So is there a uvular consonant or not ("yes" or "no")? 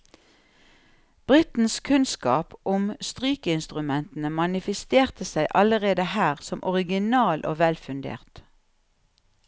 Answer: yes